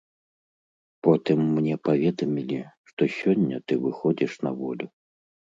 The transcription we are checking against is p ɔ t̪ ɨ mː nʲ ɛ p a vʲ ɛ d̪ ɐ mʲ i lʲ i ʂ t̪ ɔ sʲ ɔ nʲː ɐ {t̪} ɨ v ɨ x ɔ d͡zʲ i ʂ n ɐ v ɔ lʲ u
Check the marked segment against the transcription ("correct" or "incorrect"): correct